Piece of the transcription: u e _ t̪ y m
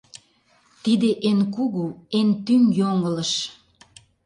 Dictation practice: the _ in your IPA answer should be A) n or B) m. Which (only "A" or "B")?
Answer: A